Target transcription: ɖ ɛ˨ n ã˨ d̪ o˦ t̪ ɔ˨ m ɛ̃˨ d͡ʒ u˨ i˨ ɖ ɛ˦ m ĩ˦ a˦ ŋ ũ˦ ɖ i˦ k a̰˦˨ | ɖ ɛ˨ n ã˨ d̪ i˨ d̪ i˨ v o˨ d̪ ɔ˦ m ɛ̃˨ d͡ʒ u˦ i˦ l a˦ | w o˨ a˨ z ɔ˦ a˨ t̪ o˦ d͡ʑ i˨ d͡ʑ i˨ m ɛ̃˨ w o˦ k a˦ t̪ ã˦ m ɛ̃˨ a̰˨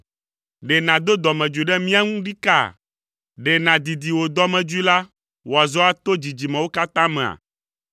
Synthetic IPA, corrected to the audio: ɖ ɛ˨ n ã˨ d̪ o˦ d̪ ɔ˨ m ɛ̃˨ d͡ʒ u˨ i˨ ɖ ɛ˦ m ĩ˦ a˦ ŋ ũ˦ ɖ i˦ k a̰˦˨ | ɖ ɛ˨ n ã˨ d̪ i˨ d̪ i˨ w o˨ d̪ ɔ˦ m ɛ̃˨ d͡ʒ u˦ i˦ l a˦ | w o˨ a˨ z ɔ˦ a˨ t̪ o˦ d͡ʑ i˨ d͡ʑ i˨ m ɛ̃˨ w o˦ k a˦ t̪ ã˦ m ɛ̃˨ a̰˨